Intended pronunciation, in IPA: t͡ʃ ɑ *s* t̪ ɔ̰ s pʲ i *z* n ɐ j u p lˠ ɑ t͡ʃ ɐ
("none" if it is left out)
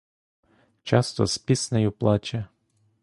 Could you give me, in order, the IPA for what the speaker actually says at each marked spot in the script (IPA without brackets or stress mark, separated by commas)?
s, s